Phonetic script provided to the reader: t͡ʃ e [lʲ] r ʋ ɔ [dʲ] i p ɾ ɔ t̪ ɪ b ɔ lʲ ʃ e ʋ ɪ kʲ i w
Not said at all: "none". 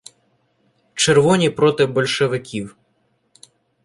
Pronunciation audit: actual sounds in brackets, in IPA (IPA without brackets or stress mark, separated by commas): none, nʲ